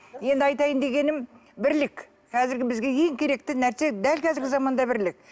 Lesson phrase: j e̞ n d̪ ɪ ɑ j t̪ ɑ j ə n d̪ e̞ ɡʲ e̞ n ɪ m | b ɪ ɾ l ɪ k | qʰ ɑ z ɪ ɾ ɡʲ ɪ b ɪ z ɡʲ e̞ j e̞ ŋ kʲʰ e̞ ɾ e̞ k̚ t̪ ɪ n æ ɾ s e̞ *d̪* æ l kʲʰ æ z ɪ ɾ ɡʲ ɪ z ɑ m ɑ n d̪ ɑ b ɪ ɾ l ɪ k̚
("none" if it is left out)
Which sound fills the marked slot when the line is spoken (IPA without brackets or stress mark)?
d̪